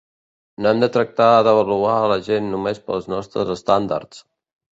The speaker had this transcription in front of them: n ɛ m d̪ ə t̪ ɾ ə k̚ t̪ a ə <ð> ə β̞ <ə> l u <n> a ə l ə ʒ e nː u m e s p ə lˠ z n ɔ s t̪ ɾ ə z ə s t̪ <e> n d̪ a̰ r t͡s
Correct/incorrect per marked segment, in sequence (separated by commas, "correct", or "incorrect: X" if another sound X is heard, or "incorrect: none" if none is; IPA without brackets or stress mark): correct, correct, incorrect: none, incorrect: a